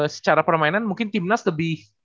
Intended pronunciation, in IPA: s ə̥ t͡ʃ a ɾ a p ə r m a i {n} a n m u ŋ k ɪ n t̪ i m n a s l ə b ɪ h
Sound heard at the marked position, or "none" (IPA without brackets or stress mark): n